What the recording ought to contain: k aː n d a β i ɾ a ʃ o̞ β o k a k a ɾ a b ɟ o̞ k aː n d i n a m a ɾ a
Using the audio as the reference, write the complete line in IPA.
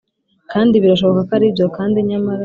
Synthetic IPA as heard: k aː n d i β i ɾ a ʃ o̞ β o k a k a ɾ i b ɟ o̞ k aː n d i ɲ a m a ɾ a